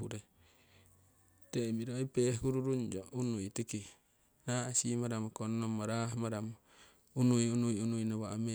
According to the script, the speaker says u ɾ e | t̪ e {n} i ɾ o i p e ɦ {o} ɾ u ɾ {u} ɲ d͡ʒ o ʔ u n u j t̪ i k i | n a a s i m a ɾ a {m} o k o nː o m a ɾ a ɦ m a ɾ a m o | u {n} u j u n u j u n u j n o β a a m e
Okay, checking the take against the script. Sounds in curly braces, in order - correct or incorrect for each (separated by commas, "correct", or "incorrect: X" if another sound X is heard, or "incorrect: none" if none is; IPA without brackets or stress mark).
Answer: incorrect: m, incorrect: u, correct, correct, correct